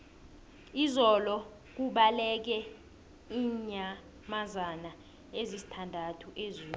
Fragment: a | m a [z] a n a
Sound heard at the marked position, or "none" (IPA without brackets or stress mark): z